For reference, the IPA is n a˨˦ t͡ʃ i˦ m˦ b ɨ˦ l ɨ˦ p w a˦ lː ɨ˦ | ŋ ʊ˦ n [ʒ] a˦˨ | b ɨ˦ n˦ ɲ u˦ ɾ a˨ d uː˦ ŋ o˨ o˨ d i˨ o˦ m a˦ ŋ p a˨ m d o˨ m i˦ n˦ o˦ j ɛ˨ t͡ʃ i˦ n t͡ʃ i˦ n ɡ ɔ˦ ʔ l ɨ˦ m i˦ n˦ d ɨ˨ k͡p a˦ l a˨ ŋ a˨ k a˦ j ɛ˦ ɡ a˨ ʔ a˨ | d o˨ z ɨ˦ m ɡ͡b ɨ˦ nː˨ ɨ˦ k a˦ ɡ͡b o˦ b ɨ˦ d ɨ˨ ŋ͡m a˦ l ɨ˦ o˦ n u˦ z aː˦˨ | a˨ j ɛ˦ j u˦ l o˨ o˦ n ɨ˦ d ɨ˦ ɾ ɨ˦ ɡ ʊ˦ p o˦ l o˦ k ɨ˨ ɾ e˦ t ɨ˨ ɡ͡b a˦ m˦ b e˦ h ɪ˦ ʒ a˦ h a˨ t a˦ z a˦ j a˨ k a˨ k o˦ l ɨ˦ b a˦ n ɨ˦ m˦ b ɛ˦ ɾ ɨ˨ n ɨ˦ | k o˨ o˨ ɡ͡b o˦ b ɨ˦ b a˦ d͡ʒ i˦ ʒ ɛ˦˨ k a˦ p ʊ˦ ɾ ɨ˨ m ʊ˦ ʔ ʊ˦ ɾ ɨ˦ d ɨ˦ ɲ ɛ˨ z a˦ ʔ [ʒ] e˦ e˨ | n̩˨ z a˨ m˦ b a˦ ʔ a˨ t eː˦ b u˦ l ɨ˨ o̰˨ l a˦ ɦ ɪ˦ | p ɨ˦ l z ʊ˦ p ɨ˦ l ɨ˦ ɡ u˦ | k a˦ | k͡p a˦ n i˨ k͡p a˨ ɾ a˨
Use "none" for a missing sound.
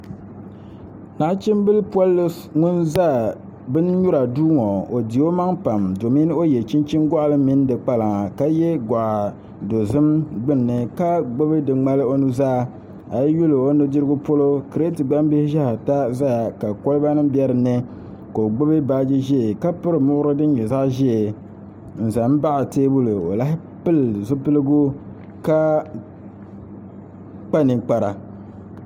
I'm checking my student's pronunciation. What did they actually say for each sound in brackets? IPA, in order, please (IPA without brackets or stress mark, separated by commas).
z, ʒ